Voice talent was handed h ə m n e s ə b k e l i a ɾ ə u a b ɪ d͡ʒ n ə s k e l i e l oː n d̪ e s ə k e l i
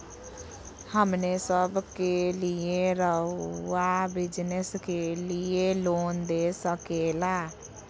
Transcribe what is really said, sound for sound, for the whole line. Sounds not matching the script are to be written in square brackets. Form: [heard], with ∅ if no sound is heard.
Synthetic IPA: h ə m n e s ə b k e l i [e] ɾ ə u a b ɪ d͡ʒ n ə s k e l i e l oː n d̪ e s ə k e l [a]

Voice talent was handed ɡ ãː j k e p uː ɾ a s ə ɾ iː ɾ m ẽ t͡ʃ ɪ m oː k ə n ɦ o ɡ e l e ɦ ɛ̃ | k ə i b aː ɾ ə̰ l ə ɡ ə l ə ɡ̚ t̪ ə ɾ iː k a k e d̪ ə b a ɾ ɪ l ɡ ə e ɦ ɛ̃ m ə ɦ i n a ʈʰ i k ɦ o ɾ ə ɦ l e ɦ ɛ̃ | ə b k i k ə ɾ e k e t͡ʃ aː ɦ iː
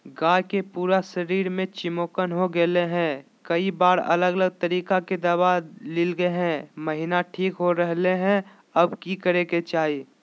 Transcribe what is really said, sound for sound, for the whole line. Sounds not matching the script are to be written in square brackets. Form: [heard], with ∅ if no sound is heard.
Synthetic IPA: ɡ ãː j k e p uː ɾ a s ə ɾ iː ɾ m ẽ t͡ʃ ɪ m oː k ə n ɦ o ɡ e l e ɦ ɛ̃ | k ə i b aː ɾ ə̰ l ə ɡ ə l ə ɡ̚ t̪ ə ɾ iː k a k e d̪ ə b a [l] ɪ l ɡ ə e ɦ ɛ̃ m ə ɦ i n a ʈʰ [iː] k ɦ o ɾ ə ɦ l e ɦ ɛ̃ | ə b k i k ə ɾ e k e t͡ʃ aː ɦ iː

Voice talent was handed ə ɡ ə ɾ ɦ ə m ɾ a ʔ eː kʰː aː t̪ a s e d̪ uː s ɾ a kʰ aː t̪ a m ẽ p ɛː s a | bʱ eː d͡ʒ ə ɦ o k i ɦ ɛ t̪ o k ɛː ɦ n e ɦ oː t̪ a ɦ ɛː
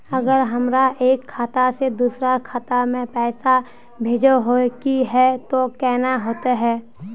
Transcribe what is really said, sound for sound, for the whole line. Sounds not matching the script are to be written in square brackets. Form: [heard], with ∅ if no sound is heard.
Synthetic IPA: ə ɡ ə ɾ ɦ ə m ɾ a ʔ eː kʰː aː t̪ a s e d̪ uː s ɾ a kʰ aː t̪ a m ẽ p ɛː s a | bʱ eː d͡ʒ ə ɦ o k i ɦ ɛ t̪ o k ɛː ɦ n [a] ɦ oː t̪ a ɦ ɛː

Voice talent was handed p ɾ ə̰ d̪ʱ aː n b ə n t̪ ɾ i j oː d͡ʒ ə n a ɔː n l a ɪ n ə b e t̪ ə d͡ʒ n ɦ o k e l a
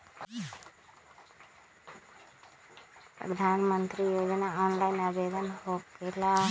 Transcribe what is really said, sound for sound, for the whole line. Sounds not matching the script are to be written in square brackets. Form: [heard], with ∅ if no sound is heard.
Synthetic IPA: p ɾ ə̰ d̪ʱ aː n [m] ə n t̪ ɾ i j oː d͡ʒ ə n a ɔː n l a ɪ n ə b e [d̪] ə [∅] n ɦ o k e l a

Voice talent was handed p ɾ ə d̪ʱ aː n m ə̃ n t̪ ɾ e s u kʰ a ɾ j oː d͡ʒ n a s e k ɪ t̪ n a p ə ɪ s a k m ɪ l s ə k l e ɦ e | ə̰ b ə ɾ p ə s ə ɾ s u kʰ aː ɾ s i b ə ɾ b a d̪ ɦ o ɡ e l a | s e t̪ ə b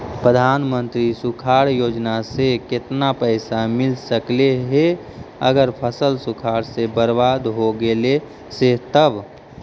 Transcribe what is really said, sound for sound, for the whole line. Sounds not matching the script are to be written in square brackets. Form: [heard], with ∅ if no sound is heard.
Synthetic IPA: p ɾ ə d̪ʱ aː n m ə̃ n t̪ ɾ [i] s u kʰ a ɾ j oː d͡ʒ n a s e k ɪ t̪ n a p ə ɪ s a [∅] m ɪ l s ə k l e ɦ e | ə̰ [ɡ] ə ɾ [pʰ] ə s ə [l] s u kʰ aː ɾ s [e] b ə ɾ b a d̪ ɦ o ɡ e l [e] | s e t̪ ə b

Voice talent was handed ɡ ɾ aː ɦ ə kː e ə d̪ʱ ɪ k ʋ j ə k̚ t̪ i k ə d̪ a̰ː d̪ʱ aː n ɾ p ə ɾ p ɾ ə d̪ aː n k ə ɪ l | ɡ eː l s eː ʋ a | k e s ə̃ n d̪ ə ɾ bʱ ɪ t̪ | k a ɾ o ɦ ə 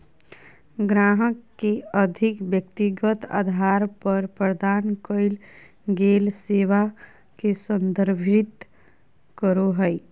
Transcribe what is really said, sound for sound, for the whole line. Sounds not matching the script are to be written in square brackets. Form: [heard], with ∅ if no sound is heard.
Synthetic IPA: ɡ ɾ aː ɦ ə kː e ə d̪ʱ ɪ k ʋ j ə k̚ t̪ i [ɡ] ə [t̪] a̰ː d̪ʱ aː [∅] ɾ p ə ɾ p ɾ ə d̪ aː n k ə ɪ l | ɡ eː l s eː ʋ a | k e s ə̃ n d̪ ə ɾ bʱ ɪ t̪ | k [ə] ɾ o ɦ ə

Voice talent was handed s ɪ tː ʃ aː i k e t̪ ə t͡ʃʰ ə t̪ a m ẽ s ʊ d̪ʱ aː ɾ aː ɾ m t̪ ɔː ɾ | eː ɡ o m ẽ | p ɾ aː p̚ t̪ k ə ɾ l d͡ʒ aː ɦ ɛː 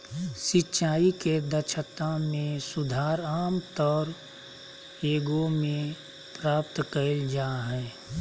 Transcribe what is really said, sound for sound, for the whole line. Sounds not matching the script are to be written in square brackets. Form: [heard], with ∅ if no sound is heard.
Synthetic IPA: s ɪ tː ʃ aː i k e [d̪] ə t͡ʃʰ ə t̪ a m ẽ s ʊ d̪ʱ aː ɾ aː [∅] m t̪ ɔː ɾ | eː ɡ o m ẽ | p ɾ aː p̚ t̪ k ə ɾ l d͡ʒ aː ɦ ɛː

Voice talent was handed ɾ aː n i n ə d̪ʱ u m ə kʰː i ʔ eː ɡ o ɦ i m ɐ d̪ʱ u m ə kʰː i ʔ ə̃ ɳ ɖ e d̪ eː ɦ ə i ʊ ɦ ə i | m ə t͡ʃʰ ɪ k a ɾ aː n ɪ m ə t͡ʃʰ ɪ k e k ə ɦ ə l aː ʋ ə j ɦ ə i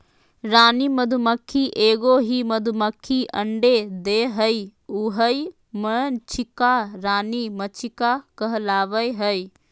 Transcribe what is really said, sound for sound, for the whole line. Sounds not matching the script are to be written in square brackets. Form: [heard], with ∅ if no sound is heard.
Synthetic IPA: ɾ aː n i [m] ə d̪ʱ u m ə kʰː i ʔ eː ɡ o ɦ i m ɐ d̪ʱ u m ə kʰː i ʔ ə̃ ɳ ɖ e d̪ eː ɦ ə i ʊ ɦ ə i | m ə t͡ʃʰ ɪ k a ɾ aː n [i] m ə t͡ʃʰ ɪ k [a] k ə ɦ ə l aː ʋ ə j ɦ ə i

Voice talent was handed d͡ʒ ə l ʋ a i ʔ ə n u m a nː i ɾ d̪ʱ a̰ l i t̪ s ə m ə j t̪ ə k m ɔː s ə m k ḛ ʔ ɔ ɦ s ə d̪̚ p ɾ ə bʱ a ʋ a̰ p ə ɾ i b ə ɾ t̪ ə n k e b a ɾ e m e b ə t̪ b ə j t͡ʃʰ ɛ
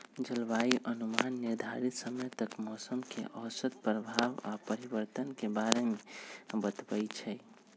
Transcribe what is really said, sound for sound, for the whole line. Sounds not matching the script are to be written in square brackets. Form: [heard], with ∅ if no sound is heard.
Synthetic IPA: d͡ʒ ə l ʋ a i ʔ ə n u m a nː i ɾ d̪ʱ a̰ [ɾ] i t̪ s ə m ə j t̪ ə k m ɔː s ə m k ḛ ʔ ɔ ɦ s ə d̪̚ p ɾ ə bʱ a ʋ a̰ p ə ɾ i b ə ɾ t̪ ə n k e b a ɾ e m e b ə t̪ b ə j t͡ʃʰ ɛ

